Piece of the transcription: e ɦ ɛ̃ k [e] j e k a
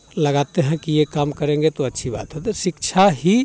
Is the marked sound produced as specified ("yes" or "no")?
no